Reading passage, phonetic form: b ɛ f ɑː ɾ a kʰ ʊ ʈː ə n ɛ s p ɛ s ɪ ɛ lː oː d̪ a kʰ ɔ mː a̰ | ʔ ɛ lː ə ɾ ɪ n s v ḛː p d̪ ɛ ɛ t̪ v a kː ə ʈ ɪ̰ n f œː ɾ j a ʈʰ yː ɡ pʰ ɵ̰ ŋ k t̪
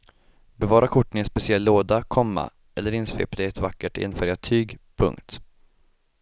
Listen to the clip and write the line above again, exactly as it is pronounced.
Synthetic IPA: b ɛ v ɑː ɾ a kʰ ʊ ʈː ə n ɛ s p ɛ s ɪ ɛ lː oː d̪ a kʰ ɔ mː a̰ | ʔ ɛ lː ə ɾ ɪ n s v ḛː p d̪ ɛ ɛ t̪ v a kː ə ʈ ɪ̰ n f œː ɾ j a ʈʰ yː ɡ pʰ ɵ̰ ŋ k t̪